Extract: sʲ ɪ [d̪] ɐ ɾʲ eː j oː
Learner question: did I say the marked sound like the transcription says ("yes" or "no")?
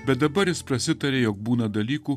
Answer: no